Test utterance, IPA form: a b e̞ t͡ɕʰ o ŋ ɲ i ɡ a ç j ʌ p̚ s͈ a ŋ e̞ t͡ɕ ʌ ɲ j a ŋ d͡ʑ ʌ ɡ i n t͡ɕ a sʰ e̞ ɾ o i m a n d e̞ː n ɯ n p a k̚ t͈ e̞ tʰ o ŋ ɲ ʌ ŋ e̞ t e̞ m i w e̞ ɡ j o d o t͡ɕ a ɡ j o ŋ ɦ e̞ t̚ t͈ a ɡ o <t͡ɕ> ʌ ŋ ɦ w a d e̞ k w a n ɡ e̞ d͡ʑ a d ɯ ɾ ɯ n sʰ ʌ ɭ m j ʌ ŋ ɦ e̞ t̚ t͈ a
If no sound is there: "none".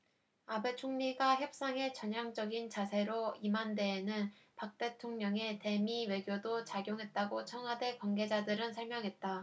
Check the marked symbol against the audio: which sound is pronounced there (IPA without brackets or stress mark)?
t͡ɕʰ